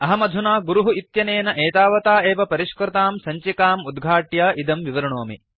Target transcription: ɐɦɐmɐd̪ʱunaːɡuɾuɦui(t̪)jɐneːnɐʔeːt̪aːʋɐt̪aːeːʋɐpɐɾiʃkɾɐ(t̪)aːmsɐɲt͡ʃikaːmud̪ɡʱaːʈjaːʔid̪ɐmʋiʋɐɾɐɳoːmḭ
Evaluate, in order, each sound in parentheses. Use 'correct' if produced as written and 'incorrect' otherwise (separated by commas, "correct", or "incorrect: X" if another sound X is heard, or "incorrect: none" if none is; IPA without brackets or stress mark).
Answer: correct, correct